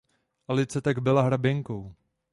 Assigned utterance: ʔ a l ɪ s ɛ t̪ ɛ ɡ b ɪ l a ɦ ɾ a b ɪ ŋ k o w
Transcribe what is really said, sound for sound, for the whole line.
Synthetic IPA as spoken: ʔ a l ɪ t͡s ɛ t̪ a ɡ b ɪ l a ɦ ɾ a b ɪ ŋ k o w